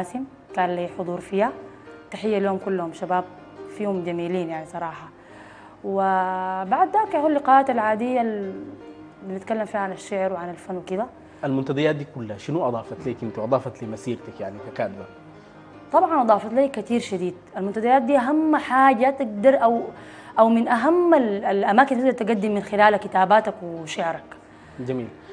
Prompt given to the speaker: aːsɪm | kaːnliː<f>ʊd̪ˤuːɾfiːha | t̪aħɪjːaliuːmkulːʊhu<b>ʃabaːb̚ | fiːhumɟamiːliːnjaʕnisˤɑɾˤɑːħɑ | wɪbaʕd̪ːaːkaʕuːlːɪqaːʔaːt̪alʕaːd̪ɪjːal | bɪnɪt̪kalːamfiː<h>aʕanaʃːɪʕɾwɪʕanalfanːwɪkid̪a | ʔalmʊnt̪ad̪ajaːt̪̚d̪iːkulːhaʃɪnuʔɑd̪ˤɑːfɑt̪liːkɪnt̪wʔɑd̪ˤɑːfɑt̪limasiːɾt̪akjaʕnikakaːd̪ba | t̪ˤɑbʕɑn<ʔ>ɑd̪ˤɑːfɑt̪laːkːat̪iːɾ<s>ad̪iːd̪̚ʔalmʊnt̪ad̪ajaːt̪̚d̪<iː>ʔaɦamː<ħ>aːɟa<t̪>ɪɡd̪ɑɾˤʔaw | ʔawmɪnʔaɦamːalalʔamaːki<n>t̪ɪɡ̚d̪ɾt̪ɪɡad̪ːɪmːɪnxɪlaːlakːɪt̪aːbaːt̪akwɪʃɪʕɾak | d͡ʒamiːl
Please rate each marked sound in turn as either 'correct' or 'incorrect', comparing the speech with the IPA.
incorrect: ħ, incorrect: m, correct, correct, incorrect: ʃ, correct, correct, correct, correct

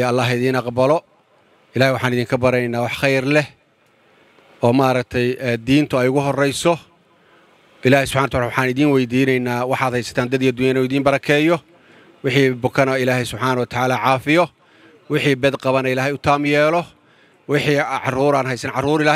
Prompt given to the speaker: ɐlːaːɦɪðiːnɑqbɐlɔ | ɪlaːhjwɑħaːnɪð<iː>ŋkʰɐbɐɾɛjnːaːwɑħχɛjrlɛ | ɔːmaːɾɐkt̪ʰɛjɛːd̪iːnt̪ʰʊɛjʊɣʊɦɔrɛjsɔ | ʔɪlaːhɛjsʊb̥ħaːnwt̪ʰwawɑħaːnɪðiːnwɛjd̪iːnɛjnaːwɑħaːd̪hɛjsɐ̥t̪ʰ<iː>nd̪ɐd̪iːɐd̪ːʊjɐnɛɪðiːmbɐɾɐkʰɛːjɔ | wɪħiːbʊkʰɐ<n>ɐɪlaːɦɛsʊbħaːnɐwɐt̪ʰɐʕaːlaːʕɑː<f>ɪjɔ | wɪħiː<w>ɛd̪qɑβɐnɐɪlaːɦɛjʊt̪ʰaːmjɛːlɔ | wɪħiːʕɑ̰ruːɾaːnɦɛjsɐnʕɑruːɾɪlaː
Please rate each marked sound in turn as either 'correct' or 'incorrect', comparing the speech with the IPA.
correct, incorrect: aː, correct, correct, incorrect: b

